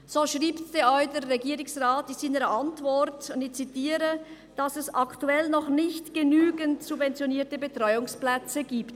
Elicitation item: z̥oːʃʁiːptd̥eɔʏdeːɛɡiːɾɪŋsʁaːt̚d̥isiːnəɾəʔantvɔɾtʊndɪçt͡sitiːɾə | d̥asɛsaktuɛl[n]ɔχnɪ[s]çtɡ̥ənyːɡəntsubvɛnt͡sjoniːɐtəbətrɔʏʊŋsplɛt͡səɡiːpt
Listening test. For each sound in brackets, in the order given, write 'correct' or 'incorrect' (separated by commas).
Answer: correct, incorrect